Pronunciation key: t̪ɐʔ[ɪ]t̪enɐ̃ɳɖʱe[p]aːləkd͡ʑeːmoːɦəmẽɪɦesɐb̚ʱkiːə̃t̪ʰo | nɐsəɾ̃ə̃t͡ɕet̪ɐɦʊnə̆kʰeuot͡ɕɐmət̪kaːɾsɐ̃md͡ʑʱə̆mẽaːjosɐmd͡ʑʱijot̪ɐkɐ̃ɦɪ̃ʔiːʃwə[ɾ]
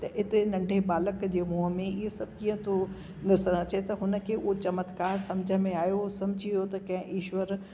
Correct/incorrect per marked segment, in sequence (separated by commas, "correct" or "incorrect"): correct, incorrect, correct